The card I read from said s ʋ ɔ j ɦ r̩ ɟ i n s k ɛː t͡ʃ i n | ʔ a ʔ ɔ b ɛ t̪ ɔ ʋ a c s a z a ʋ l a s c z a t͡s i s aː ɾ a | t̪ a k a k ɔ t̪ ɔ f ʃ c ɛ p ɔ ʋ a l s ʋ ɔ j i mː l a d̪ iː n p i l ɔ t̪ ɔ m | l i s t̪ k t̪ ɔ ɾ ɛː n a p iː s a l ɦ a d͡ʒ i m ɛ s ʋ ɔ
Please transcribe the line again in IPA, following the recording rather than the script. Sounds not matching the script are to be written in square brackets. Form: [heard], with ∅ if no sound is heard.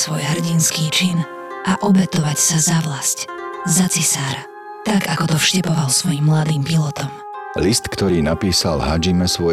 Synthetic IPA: s ʋ ɔ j ɦ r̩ ɟ i n s k [iː] t͡ʃ i n | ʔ a ʔ ɔ b ɛ t̪ ɔ ʋ a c s a z a ʋ l a s c z a t͡s i s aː ɾ a | t̪ a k a k ɔ t̪ ɔ f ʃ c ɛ p ɔ ʋ a l s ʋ ɔ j i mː l a d̪ iː [m] p i l ɔ t̪ ɔ m | l i s t̪ k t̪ ɔ ɾ [iː] n a p iː s a l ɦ a d͡ʒ i m ɛ s ʋ ɔ